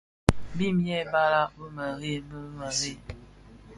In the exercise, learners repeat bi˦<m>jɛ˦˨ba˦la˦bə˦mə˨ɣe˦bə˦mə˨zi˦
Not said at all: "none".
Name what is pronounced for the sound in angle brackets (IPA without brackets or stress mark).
m